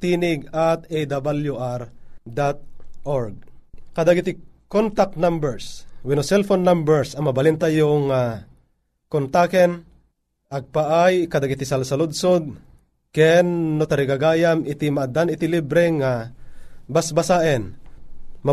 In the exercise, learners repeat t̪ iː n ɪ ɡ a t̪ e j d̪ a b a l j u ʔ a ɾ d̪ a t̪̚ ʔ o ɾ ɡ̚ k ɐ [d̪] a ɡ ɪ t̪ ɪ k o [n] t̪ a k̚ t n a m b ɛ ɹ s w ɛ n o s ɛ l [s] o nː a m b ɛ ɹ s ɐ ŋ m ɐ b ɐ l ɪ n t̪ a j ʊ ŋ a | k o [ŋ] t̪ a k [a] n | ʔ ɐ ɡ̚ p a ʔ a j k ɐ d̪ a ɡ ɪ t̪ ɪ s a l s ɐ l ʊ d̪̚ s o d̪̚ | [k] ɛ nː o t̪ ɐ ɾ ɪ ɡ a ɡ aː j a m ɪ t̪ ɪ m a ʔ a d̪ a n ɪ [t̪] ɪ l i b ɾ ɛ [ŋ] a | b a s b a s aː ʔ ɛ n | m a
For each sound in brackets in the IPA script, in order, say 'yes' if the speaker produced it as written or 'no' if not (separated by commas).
yes, yes, no, no, no, yes, yes, yes